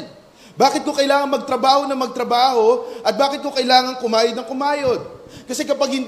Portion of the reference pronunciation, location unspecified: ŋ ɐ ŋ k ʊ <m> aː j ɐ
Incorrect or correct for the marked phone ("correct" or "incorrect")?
correct